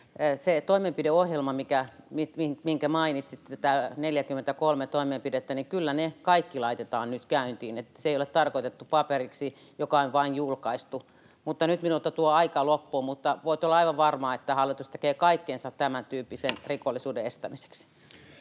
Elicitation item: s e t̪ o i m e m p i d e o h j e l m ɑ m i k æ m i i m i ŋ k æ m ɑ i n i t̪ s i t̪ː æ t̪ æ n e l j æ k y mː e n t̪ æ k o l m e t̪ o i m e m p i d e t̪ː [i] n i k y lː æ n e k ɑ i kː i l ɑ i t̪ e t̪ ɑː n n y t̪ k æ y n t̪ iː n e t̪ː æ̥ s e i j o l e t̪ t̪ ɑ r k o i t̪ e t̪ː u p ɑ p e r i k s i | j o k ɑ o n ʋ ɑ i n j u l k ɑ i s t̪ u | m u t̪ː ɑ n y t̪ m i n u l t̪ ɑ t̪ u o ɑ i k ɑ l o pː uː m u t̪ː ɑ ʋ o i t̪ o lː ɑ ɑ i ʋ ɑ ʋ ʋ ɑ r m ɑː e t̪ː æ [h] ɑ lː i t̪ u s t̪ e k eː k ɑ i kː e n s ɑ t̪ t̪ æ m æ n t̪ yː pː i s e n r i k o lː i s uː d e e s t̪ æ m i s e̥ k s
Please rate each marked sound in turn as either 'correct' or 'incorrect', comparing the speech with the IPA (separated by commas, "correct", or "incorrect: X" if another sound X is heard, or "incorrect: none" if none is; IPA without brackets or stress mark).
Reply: incorrect: æ, correct